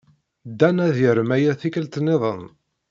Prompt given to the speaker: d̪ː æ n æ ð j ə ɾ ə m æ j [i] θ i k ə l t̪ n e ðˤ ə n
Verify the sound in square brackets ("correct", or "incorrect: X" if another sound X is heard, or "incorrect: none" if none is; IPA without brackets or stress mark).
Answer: incorrect: æ